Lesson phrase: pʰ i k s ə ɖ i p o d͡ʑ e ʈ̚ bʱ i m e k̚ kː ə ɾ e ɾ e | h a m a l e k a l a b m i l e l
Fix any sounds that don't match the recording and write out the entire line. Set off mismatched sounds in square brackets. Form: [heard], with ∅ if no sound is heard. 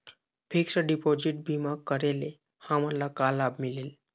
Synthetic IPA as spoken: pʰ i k s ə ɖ i p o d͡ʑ [i] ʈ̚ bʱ i m [a] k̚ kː ə ɾ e [l] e | h a m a l [a] k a l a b m i l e l